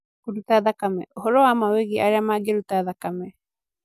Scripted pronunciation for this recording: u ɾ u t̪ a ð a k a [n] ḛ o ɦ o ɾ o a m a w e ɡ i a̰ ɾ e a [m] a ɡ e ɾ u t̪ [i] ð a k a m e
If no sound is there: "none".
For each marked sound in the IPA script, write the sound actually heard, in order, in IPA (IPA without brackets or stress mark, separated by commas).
m, m, a